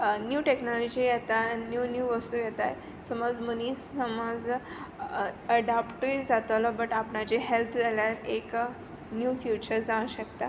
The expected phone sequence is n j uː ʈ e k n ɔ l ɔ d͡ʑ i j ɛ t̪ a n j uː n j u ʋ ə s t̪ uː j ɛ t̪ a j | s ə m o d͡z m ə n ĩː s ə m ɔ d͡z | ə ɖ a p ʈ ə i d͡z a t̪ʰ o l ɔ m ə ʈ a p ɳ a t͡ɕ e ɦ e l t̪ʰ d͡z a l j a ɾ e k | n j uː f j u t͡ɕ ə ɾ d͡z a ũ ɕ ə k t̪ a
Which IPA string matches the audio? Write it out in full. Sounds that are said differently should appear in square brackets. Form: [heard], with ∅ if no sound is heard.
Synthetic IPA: n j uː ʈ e k n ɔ l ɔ d͡ʑ i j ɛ t̪ a n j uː n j u ʋ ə s t̪ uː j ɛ t̪ a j | s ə m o d͡z m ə n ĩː s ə m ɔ d͡z | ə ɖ a p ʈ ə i d͡z a [t̪] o l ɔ [b] ə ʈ a p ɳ a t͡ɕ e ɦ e l t̪ʰ d͡z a l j a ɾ e k | n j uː f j u t͡ɕ ə ɾ d͡z a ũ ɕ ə k t̪ a